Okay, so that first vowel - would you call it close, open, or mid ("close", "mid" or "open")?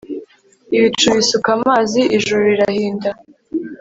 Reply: close